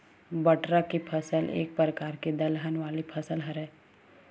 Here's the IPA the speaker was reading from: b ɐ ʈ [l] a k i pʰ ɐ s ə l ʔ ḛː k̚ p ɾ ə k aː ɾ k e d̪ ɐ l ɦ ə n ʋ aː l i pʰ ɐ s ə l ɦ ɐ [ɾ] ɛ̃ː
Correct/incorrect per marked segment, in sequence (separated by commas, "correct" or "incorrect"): incorrect, correct